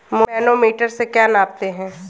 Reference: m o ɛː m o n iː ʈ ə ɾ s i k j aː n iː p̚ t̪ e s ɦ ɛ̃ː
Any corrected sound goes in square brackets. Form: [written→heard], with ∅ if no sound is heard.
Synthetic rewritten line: m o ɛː [m→n] o [n→m] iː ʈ ə ɾ s [i→e] k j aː n [iː→aː] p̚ t̪ e [s→∅] ɦ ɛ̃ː